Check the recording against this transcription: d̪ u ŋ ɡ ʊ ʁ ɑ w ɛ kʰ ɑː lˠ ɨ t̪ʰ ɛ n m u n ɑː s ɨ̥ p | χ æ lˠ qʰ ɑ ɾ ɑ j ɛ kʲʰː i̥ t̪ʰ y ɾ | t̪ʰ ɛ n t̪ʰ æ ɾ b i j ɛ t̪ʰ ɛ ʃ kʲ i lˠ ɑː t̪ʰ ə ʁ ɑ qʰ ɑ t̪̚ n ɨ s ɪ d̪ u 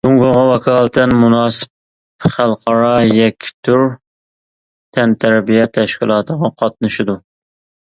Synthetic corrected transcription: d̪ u ŋ ɡ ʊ ʁ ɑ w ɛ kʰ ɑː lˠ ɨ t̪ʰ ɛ n m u n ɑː s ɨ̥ p | χ æ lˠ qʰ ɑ ɾ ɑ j ɛ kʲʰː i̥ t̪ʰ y ɾ | t̪ʰ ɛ n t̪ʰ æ ɾ b i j ɛ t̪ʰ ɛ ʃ kʲ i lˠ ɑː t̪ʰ ə ʁ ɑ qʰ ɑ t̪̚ n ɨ ʃ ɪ d̪ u

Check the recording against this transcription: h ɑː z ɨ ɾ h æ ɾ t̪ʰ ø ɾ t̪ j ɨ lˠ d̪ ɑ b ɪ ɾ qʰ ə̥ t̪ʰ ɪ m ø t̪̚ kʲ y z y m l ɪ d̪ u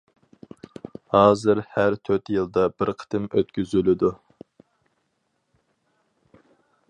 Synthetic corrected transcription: h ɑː z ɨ ɾ h æ ɾ t̪ʰ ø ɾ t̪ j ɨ lˠ d̪ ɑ b ɪ ɾ qʰ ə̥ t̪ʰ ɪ m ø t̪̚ kʲ y z y l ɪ d̪ u

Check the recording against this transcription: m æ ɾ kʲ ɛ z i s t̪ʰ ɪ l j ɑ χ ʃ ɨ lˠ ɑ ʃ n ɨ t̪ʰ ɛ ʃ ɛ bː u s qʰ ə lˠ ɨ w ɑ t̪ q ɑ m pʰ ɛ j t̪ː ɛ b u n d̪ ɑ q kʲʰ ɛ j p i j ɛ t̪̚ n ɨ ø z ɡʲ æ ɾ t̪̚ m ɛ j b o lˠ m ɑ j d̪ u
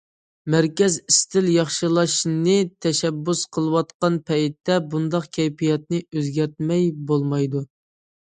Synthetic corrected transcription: m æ ɾ kʲ ɛ z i s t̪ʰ ɪ l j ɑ χ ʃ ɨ lˠ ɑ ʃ n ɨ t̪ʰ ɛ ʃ ɛ bː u s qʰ ə lˠ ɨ w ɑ t̪ q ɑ n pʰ ɛ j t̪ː ɛ b u n d̪ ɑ q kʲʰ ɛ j p i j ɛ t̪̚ n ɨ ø z ɡʲ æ ɾ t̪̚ m ɛ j b o lˠ m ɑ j d̪ u

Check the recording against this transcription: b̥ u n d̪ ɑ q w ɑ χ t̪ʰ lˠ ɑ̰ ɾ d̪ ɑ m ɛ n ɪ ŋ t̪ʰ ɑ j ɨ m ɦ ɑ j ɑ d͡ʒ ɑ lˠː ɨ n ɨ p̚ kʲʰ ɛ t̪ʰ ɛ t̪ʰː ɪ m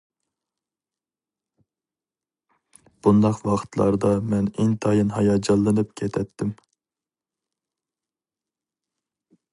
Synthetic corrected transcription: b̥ u n d̪ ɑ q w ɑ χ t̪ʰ lˠ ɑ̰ ɾ d̪ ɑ m ɛ n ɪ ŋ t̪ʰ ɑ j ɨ n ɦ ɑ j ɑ d͡ʒ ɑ lˠː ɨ n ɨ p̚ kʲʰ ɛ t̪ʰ ɛ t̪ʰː ɪ m

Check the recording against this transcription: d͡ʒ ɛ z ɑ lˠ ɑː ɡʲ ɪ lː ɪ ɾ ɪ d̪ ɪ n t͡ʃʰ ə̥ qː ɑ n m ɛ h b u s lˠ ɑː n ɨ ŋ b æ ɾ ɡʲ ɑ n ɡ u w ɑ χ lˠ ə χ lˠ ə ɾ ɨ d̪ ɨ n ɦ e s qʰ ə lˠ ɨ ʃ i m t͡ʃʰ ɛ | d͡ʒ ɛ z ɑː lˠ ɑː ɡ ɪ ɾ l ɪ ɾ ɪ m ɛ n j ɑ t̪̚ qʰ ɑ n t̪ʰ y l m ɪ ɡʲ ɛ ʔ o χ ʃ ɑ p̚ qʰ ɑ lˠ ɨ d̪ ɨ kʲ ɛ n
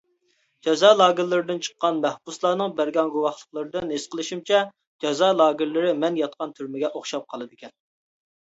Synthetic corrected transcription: d͡ʒ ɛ z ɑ lˠ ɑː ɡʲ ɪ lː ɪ ɾ ɪ d̪ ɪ n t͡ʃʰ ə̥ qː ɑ n m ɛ h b u s lˠ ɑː n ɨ ŋ b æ ɾ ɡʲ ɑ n ɡ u w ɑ χ lˠ ə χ lˠ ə ɾ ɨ d̪ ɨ n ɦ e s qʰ ə lˠ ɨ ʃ i m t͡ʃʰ ɛ | d͡ʒ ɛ z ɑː lˠ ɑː ɡ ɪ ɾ l ɪ ɾ ɪ m ɛ n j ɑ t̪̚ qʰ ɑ n t̪ʰ y ɾ m ɪ ɡʲ ɛ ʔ o χ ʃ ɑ p̚ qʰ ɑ lˠ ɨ d̪ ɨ kʲ ɛ n

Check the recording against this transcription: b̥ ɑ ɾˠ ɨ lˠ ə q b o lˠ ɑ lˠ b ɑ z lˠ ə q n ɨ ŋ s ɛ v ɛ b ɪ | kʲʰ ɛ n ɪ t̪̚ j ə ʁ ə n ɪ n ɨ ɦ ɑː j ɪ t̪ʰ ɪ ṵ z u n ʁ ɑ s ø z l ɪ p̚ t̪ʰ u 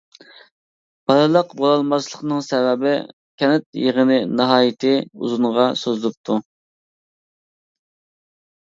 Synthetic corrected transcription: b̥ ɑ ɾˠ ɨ lˠ ə q b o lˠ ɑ lˠ m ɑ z lˠ ə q n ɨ ŋ s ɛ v ɛ b ɪ | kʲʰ ɛ n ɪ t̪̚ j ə ʁ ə n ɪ n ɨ ɦ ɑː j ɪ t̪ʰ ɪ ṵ z u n ʁ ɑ s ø z l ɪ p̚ t̪ʰ u

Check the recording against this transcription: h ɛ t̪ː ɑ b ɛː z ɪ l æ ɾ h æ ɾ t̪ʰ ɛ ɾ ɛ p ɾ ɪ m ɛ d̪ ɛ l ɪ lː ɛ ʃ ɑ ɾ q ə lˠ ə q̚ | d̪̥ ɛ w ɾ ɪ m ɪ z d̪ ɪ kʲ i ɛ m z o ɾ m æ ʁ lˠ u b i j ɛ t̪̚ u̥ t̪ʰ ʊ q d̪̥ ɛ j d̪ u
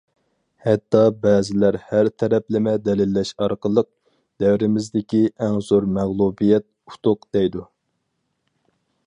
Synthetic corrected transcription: h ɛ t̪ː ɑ b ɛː z ɪ l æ ɾ h æ ɾ t̪ʰ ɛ ɾ ɛ p l ɪ m ɛ d̪ ɛ l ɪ lː ɛ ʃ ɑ ɾ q ə lˠ ə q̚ | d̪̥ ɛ w ɾ ɪ m ɪ z d̪ ɪ kʲ i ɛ ŋ z o ɾ m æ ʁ lˠ u b i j ɛ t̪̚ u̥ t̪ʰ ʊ q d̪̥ ɛ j d̪ u

